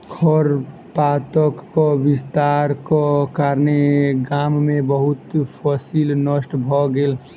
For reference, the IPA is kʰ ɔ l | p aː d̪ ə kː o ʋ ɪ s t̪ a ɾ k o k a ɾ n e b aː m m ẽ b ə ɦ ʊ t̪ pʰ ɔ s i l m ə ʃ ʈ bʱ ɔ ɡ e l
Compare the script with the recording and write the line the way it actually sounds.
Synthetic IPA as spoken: kʰ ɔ ɾ | p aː t̪ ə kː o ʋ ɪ s t̪ a ɾ k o k a ɾ n e ɡ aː m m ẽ b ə ɦ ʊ t̪ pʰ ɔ s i l n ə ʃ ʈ bʱ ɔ ɡ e l